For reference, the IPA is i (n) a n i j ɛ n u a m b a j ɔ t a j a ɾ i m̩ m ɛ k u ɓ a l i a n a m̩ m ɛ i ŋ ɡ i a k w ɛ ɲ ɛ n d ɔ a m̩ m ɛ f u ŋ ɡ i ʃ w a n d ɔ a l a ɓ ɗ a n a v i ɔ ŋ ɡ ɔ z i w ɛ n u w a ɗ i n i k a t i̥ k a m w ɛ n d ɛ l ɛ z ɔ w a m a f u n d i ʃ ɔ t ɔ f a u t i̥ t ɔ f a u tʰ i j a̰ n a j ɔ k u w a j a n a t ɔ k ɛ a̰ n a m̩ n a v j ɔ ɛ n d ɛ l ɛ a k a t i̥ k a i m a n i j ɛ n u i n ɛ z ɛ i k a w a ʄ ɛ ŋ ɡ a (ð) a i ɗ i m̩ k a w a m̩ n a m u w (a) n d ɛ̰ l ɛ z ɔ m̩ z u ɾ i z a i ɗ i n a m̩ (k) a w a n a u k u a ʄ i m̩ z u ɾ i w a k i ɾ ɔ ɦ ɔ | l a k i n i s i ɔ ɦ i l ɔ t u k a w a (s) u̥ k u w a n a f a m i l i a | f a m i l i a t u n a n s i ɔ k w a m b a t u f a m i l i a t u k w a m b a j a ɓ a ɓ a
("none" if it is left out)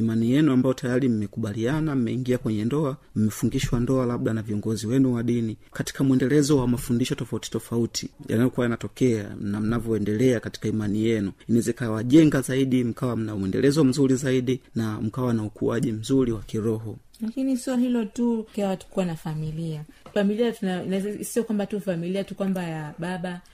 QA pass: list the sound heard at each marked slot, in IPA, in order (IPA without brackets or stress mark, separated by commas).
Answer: m, z, ɛ, k, t